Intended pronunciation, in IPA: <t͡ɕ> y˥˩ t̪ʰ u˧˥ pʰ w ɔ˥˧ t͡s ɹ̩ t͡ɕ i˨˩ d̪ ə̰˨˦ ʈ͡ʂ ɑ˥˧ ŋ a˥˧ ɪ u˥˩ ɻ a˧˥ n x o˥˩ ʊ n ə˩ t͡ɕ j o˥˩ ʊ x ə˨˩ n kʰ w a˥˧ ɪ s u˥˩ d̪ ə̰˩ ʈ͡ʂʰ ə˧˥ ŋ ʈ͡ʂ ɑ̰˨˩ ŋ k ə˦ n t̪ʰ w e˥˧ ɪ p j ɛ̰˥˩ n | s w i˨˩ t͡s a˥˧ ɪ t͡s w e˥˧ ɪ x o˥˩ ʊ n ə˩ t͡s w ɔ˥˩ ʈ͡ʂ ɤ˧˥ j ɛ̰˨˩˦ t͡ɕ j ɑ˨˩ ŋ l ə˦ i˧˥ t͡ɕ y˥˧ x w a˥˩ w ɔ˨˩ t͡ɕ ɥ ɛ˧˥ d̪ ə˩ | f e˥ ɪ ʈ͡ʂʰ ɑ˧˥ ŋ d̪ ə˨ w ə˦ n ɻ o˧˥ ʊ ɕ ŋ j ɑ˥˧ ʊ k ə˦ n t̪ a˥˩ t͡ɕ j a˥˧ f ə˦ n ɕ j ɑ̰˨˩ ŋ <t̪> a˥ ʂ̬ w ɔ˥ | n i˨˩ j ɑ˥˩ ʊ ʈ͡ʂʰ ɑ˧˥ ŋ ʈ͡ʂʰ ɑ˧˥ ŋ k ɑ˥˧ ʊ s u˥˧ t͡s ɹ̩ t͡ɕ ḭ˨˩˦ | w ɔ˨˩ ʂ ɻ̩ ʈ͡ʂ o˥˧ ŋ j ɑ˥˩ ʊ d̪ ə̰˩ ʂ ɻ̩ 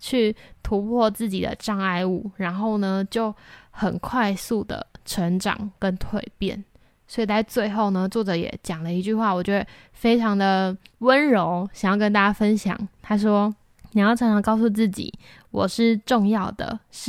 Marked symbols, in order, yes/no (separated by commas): no, no